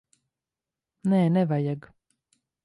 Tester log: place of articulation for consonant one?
alveolar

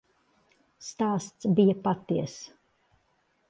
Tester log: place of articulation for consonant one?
alveolar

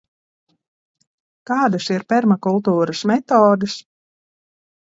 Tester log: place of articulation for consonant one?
velar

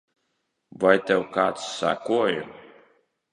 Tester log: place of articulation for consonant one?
labial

